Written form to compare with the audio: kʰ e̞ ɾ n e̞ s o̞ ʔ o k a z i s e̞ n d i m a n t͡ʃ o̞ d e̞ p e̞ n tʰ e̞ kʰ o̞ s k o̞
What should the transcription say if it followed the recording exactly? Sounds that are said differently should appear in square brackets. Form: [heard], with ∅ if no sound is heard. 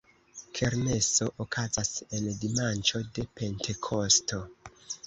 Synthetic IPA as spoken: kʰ e̞ ɾ n e̞ s o̞ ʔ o k a z [a] s e̞ n d i m a n t͡ʃ o̞ d e̞ p e̞ n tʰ e̞ kʰ o̞ s [t] o̞